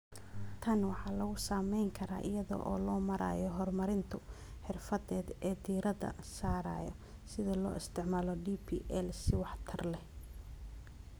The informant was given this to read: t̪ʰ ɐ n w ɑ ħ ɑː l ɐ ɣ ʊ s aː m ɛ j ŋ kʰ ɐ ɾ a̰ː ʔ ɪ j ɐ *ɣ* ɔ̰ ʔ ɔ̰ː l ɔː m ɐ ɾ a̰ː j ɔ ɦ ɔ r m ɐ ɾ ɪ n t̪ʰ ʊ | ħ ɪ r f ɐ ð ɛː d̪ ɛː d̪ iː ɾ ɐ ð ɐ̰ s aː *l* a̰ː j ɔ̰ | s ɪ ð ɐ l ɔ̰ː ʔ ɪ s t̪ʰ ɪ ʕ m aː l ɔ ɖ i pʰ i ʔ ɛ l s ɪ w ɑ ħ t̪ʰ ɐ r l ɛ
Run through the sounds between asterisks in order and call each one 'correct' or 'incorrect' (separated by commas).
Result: incorrect, incorrect